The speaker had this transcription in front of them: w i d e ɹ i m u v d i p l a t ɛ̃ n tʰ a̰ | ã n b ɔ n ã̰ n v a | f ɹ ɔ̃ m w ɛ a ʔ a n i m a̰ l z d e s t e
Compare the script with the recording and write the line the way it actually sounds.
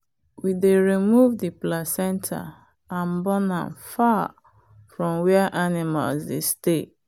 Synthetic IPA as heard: w i d e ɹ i m u v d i p l a s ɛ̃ n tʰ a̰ | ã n b ɔ n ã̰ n f a | f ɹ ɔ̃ m w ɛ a ʔ a n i m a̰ l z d e s t e